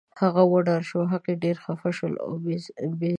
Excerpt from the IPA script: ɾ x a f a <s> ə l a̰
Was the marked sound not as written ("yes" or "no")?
yes